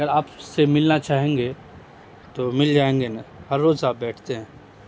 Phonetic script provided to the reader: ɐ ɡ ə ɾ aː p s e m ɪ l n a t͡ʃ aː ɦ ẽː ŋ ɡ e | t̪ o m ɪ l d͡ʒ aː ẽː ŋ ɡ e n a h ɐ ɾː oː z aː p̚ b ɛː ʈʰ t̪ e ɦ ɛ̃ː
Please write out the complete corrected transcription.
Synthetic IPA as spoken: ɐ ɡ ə ɾ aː p s e m ɪ l n a t͡ʃ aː ɦ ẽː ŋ ɡ e | t̪ o m ɪ l d͡ʒ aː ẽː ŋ ɡ e n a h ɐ ɾː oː z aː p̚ b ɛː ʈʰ t̪ e ɦ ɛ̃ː